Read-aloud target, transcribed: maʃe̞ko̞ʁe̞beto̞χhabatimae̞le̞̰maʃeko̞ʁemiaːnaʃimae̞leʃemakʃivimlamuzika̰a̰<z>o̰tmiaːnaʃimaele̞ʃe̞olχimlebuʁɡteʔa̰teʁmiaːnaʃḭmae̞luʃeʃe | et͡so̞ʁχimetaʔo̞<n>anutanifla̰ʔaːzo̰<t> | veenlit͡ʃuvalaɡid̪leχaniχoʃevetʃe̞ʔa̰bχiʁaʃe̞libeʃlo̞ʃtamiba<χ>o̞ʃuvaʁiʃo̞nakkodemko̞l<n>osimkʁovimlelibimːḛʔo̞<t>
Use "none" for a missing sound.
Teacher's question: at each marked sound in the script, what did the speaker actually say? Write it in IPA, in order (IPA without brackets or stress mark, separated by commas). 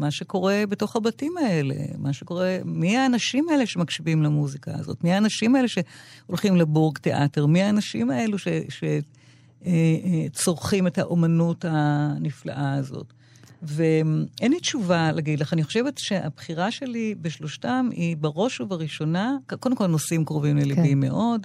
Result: z, m, t, ʁ, n, d